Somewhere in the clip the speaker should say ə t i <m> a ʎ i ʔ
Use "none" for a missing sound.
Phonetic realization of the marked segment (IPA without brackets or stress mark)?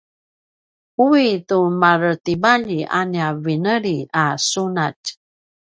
b